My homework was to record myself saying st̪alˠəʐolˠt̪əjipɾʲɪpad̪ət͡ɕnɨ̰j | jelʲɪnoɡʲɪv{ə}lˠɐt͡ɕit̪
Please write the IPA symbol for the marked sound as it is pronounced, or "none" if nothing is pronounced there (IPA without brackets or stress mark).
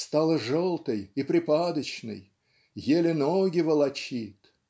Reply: ə